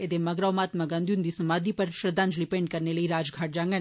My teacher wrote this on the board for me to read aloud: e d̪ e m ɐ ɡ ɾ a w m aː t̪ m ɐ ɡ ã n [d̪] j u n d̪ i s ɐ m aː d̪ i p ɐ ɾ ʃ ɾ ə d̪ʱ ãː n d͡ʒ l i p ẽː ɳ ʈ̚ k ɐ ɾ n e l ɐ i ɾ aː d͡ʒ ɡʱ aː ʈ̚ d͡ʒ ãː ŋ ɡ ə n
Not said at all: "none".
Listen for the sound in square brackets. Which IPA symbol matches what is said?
d̪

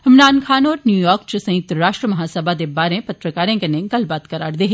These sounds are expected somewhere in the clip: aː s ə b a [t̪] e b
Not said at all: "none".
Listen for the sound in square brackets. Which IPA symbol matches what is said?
d̪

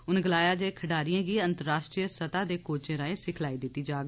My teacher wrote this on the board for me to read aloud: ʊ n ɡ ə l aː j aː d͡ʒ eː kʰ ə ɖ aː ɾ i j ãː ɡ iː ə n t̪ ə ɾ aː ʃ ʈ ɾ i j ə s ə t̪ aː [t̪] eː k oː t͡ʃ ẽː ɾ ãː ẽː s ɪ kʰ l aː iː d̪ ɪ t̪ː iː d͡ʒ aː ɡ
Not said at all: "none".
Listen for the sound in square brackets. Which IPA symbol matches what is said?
d̪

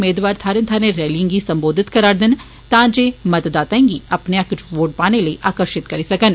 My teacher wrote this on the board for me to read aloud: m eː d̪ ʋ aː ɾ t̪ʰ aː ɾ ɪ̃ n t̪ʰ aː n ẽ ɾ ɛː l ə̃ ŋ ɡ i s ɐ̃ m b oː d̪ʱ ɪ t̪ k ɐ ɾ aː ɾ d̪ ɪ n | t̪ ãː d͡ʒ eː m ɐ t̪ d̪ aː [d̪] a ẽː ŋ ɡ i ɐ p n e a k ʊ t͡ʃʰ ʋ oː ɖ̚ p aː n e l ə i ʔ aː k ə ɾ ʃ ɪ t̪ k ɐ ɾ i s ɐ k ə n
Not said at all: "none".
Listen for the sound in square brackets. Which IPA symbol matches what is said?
t̪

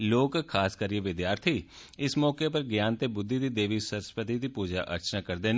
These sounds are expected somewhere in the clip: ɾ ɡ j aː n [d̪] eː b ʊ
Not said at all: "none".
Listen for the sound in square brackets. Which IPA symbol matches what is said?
t̪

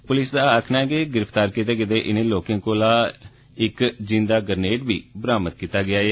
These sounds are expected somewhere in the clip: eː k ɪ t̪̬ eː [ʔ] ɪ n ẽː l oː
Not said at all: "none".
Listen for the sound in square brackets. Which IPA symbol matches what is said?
ʔ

